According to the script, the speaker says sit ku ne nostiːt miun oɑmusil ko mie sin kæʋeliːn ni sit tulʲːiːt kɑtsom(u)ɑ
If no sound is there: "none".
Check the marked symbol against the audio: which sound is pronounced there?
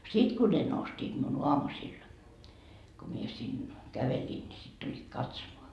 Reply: o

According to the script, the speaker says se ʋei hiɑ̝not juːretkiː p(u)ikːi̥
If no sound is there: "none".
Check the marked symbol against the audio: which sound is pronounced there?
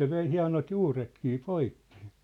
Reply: o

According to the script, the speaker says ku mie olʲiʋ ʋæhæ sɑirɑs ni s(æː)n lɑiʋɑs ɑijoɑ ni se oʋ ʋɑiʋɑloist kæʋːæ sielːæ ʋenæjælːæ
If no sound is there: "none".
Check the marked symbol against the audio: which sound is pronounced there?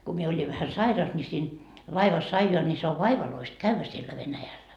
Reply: iː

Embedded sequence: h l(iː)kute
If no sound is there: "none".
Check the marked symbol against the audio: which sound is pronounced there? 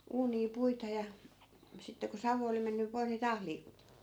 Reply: iː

